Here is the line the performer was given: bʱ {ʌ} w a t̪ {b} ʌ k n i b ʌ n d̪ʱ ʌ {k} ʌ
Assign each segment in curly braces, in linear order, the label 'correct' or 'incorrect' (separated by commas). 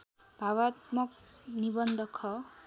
incorrect, incorrect, incorrect